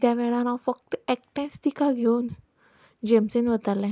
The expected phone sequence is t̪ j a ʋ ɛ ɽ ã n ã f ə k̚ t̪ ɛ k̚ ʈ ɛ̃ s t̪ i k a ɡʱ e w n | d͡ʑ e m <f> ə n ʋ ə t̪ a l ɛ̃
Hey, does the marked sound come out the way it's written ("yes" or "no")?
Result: no